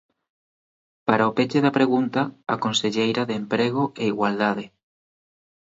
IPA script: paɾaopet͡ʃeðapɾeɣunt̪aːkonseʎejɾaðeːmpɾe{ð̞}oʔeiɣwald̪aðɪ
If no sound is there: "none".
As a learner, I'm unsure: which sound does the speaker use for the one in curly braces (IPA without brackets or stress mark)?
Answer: ɣ̞